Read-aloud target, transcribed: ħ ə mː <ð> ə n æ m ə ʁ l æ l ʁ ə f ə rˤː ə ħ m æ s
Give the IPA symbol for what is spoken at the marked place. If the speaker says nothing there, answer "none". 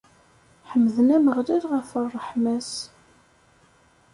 ð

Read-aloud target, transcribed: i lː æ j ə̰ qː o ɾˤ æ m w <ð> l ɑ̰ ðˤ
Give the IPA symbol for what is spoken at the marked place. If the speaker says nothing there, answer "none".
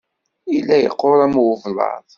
v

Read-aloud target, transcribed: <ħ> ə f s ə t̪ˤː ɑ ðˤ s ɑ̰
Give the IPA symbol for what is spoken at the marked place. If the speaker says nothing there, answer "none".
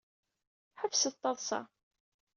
ħ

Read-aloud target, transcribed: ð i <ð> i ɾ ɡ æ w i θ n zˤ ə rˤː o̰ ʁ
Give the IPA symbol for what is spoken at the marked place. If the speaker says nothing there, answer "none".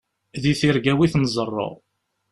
θ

